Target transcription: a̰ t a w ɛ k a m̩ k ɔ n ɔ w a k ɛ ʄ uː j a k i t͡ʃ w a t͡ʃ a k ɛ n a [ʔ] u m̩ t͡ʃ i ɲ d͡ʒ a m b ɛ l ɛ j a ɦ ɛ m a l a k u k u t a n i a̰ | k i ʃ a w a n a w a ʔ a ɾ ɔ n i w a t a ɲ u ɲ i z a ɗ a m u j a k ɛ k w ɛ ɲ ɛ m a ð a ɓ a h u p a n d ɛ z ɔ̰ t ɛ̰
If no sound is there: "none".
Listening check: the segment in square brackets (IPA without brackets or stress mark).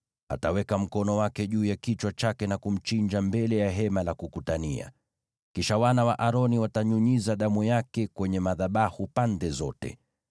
k